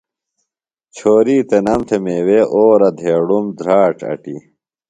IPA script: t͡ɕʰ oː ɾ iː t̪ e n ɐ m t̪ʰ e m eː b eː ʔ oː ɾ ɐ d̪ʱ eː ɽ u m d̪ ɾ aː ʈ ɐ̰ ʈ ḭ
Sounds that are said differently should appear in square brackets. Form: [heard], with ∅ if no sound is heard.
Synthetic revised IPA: t͡ɕʰ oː ɾ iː t̪ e n ɐ m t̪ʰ e m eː [w] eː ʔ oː ɾ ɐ d̪ʱ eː ɽ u m d̪ ɾ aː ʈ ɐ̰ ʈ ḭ